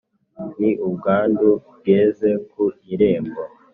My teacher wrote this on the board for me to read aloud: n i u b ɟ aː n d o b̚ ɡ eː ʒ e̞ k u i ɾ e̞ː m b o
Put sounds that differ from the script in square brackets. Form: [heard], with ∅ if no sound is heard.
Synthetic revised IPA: n i u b [ɡ] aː n d [u] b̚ ɡ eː [z] e̞ k u i ɾ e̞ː m b o